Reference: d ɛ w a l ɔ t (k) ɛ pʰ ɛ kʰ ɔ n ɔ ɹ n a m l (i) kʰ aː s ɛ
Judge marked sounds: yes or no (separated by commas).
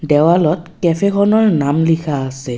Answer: yes, yes